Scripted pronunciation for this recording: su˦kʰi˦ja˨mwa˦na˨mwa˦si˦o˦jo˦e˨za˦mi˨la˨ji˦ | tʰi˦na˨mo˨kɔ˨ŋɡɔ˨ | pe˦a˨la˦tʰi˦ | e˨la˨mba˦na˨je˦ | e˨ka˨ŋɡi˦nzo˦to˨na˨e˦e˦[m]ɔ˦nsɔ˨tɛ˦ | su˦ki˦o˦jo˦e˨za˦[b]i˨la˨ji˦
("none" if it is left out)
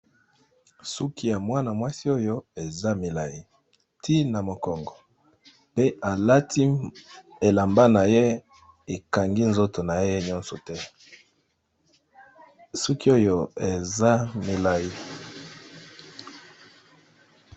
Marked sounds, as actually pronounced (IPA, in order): ɲ, m

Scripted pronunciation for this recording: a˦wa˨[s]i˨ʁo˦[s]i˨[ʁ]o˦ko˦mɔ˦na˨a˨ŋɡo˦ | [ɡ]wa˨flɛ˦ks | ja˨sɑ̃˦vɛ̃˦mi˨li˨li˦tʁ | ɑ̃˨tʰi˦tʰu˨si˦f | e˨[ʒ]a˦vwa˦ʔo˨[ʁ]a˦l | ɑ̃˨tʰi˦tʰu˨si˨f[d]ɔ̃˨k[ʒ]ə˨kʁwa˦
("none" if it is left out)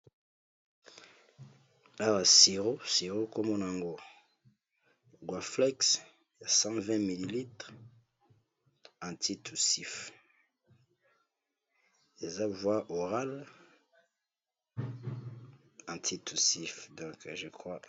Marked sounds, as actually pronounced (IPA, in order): s, s, ʁ, ɡ, z, ʁ, d, ʒ

